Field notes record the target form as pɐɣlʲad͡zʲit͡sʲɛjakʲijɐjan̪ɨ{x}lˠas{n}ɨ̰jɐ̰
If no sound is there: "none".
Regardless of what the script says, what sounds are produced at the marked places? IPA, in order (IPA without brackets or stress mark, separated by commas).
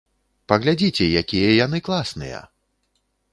k, n